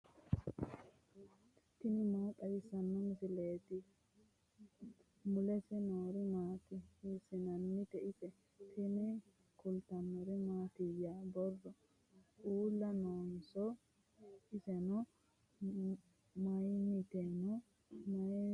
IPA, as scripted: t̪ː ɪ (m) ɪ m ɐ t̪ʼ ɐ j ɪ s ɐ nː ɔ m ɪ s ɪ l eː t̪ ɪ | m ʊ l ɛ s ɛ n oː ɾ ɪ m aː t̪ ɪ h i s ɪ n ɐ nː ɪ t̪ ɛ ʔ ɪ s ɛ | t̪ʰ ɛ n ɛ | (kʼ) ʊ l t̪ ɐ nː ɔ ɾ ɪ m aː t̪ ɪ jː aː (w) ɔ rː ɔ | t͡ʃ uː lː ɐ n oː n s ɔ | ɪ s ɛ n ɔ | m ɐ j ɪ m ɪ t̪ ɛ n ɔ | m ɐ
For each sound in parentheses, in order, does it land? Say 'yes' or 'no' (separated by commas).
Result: no, no, no